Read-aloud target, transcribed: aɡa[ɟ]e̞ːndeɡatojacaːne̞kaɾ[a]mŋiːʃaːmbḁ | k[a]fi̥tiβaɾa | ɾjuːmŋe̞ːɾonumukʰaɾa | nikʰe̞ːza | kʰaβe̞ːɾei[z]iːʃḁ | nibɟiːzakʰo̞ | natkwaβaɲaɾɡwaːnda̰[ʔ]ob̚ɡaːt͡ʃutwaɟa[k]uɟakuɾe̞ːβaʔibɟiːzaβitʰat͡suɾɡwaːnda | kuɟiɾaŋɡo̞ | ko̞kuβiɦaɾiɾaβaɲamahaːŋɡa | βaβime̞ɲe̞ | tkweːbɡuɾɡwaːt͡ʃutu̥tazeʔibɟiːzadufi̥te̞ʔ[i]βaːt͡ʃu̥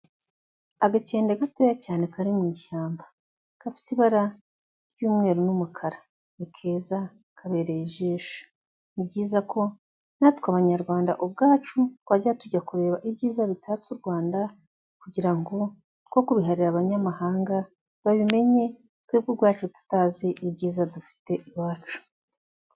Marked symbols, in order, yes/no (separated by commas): no, no, yes, no, yes, no, yes